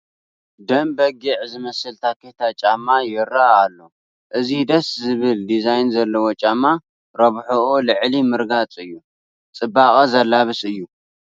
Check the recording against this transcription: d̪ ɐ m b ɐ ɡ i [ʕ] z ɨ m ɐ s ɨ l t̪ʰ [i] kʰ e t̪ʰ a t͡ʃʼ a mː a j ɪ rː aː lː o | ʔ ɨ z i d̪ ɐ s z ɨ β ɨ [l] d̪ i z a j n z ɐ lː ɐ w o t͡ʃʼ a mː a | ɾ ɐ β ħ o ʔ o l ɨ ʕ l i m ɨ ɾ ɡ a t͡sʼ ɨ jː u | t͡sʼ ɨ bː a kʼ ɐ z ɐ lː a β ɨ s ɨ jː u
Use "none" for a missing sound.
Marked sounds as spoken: ʕ, a, l

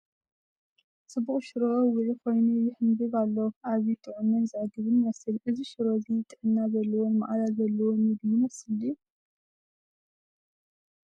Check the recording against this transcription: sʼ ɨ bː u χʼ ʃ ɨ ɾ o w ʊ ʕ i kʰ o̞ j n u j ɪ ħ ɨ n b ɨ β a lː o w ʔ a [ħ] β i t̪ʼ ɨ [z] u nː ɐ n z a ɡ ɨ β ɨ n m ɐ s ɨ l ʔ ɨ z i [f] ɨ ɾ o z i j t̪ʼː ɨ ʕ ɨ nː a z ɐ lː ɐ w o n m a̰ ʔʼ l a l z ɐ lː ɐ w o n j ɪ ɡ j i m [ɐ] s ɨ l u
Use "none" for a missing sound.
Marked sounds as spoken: none, ʕ, ʃ, ɐ

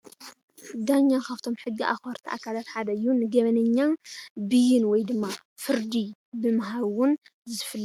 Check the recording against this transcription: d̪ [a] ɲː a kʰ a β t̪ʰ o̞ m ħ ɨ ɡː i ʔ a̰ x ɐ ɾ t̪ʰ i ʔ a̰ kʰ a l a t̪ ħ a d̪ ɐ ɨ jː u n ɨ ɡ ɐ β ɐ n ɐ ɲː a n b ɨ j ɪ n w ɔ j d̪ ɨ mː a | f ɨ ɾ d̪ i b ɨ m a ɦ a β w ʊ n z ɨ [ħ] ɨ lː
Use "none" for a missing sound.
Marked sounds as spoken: a, f

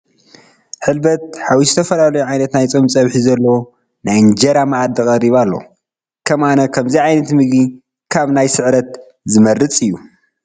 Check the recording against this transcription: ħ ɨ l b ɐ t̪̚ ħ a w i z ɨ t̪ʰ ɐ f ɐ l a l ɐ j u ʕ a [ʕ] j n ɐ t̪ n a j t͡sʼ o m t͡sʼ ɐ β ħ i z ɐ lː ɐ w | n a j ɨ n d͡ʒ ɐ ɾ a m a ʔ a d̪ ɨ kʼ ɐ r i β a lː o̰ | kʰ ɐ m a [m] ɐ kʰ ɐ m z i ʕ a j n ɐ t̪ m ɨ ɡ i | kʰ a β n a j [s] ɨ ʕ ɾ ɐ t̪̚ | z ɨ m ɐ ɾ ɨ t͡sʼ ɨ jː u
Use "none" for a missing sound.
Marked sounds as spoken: none, n, s

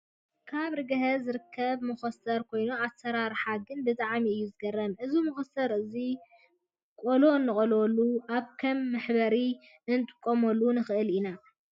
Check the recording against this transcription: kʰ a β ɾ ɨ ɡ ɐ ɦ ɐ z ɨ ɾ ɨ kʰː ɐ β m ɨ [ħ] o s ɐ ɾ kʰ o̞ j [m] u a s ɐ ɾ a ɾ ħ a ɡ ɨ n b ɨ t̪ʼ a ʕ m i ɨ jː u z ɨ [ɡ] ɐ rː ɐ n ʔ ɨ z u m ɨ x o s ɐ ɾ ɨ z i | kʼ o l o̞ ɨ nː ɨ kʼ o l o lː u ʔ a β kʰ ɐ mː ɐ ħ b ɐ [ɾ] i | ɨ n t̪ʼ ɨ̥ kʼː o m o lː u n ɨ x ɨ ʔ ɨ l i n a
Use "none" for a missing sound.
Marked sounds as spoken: x, n, ɡ, ɾ

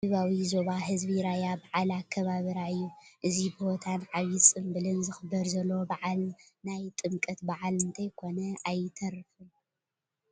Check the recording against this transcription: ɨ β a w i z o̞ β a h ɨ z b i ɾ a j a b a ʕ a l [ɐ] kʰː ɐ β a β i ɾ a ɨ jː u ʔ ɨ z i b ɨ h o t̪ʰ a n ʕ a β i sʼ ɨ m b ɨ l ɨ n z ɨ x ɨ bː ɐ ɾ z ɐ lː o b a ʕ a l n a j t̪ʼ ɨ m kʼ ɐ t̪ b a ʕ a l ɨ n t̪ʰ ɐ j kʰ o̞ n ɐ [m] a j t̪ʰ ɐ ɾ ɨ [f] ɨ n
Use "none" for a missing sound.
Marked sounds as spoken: a, none, f

